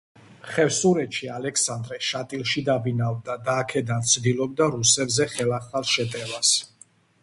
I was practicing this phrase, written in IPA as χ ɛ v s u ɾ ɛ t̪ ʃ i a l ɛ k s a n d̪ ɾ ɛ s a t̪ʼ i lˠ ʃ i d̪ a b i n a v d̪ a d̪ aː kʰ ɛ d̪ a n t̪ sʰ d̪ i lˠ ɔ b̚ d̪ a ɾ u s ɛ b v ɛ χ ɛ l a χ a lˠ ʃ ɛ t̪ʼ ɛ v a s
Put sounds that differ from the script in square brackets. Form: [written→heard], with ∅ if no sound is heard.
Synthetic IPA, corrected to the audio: χ ɛ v s u ɾ ɛ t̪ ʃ i a l ɛ k s a n d̪ ɾ ɛ [s→ʃ] a t̪ʼ i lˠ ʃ i d̪ a b i n a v d̪ a d̪ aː kʰ ɛ d̪ a n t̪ sʰ d̪ i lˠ ɔ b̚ d̪ a ɾ u s ɛ b [v→z] ɛ χ ɛ l a χ a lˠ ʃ ɛ t̪ʼ ɛ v a s